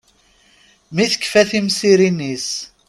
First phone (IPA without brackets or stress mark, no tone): m